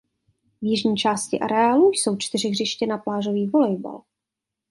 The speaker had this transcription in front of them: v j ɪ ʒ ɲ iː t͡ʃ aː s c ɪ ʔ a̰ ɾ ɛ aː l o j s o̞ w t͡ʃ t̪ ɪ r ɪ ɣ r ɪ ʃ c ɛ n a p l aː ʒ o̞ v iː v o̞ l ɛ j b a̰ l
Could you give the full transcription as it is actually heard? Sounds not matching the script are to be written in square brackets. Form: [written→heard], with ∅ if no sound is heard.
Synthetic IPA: v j ɪ ʒ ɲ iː t͡ʃ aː s c ɪ ʔ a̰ ɾ ɛ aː l [o→u] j s o̞ w t͡ʃ t̪ ɪ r ɪ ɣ r ɪ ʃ c ɛ n a p l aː ʒ o̞ v iː v o̞ l ɛ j b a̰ l